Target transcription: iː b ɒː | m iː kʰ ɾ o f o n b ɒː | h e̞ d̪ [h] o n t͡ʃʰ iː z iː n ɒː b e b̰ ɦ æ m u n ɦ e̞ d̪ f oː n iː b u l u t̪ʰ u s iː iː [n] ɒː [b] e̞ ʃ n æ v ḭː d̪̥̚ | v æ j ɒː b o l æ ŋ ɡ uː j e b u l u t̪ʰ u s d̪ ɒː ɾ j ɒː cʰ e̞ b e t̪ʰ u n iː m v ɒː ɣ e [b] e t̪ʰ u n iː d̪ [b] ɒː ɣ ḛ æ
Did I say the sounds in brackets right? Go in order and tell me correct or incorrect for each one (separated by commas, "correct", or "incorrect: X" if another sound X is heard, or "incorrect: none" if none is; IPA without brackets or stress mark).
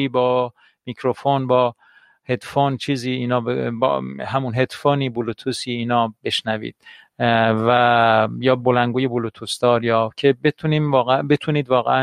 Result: incorrect: f, correct, correct, correct, incorrect: v